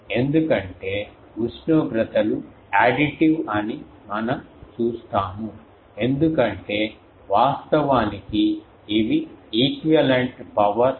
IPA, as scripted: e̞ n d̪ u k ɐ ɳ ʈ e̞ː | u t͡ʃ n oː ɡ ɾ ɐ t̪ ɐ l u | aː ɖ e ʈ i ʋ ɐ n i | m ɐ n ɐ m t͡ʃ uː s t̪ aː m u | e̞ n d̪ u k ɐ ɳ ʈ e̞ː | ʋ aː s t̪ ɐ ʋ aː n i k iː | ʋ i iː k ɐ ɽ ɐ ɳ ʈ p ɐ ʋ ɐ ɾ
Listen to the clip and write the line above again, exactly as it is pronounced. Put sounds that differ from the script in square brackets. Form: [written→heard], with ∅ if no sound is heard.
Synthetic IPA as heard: e̞ n d̪ u k ɐ ɳ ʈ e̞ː | u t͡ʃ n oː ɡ ɾ ɐ t̪ ɐ l u | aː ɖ [e→i] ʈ i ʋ ɐ n i | m ɐ n ɐ m t͡ʃ uː s t̪ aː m u | e̞ n d̪ u k ɐ ɳ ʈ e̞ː | ʋ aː s t̪ ɐ ʋ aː n i k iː | ʋ i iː k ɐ [ɽ→l] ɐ ɳ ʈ p ɐ ʋ ɐ ɾ